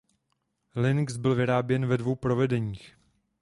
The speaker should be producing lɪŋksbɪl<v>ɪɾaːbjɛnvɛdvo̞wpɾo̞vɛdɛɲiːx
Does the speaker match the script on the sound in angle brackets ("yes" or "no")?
yes